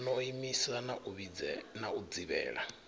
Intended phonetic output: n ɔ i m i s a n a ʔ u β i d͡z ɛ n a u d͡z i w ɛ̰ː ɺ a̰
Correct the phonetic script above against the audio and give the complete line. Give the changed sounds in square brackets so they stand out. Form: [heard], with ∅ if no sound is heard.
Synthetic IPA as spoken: n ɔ i m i s a n a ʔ u β i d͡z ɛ n a u d͡z i [β] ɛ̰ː ɺ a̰